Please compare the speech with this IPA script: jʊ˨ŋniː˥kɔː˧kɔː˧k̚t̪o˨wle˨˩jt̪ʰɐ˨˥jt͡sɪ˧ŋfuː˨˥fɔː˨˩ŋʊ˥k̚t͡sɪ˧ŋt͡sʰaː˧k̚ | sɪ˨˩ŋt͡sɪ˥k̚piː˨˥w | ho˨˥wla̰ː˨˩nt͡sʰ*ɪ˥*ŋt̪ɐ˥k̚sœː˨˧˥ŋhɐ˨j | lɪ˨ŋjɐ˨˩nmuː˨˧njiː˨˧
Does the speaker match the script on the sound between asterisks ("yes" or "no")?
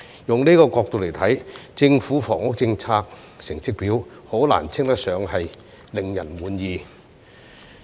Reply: yes